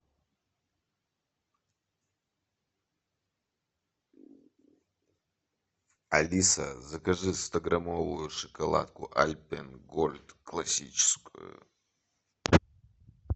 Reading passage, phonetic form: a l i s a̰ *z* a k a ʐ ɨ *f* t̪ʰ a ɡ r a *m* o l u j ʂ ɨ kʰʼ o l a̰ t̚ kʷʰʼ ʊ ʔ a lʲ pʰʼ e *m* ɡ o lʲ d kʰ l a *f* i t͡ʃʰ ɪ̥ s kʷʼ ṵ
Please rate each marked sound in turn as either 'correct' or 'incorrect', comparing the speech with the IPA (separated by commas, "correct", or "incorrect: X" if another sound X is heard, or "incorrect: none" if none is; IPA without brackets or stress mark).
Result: correct, incorrect: s, correct, incorrect: n, incorrect: s